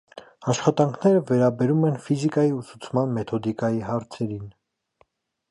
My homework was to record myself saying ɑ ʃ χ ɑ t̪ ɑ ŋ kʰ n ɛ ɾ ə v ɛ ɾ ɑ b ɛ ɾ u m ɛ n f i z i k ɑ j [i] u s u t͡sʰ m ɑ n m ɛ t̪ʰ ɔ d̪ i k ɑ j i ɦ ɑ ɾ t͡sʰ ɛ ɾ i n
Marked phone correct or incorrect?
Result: correct